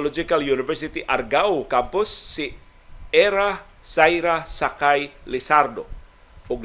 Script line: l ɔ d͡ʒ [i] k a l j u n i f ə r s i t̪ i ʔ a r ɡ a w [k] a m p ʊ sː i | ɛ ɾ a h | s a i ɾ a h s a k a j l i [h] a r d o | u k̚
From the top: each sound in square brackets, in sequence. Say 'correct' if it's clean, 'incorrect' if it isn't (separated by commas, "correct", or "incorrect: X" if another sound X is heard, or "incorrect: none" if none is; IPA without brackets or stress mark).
correct, correct, incorrect: s